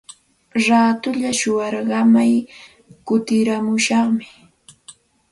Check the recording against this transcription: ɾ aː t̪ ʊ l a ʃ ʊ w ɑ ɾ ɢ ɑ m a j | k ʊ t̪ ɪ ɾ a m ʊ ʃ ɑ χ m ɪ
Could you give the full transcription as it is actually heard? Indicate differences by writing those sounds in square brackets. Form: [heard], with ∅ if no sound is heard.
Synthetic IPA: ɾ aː t̪ ʊ [ʎ] a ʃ ʊ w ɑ ɾ ɢ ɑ m a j | k ʊ t̪ ɪ ɾ a m ʊ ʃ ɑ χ m ɪ